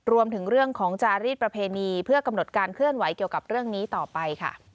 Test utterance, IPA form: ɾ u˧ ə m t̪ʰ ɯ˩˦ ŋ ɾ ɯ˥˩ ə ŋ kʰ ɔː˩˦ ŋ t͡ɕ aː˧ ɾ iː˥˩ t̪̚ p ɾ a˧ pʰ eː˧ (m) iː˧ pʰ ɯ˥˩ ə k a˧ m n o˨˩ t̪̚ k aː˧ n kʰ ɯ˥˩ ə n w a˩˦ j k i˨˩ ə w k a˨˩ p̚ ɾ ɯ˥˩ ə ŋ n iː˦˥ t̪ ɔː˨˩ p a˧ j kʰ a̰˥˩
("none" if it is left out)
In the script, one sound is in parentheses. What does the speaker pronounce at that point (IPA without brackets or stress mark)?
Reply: n